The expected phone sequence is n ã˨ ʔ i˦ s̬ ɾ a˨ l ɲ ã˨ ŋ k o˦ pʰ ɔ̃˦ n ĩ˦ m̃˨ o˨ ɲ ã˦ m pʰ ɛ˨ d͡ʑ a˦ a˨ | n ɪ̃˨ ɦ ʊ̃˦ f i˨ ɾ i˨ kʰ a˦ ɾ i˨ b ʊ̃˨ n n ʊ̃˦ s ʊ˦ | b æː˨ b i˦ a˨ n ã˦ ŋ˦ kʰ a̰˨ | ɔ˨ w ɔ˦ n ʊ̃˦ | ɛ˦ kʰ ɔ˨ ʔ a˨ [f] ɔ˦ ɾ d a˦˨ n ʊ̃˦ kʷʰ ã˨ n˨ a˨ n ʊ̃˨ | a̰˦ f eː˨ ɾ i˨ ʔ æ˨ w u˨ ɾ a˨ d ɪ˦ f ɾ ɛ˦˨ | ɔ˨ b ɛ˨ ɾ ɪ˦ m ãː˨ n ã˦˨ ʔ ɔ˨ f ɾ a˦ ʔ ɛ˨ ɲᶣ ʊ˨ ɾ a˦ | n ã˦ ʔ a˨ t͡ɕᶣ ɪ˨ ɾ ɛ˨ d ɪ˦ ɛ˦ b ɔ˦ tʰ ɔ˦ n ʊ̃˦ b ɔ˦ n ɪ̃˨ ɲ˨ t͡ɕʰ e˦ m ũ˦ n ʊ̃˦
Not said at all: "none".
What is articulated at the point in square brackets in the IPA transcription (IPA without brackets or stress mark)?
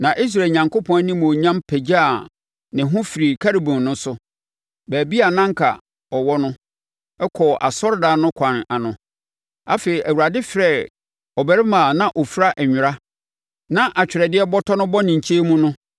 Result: s